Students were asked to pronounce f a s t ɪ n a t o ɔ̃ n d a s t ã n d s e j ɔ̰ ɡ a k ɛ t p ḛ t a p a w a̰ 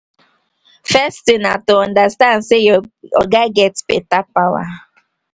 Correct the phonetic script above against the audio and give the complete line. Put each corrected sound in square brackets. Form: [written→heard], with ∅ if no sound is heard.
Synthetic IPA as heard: f [a→ɛ] s t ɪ n a t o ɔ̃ n d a s t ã n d s e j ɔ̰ ɡ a [k→ɡ] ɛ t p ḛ t a p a w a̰